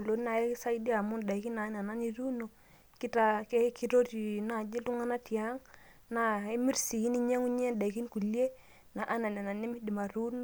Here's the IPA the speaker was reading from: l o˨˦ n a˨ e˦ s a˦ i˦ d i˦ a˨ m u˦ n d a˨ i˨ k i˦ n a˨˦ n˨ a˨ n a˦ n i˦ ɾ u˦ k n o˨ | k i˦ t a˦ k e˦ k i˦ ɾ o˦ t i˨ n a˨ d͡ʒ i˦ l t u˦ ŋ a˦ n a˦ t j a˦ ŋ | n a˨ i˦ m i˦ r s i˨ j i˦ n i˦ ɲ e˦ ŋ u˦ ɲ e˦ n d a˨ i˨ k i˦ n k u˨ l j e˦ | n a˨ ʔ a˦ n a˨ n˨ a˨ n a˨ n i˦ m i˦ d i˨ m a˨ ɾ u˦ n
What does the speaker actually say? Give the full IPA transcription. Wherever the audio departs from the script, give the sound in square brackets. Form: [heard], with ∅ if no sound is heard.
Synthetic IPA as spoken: l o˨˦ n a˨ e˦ s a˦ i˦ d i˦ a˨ m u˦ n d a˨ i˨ k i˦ n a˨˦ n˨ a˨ n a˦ n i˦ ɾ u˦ [∅] n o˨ | k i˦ t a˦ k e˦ k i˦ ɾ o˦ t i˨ n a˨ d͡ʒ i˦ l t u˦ ŋ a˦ n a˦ t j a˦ ŋ | n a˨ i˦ m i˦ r s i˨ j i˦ n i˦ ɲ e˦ ŋ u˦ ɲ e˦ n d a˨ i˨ k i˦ n k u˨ l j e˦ | n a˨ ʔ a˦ n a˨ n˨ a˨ n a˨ n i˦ m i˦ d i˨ m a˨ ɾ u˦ n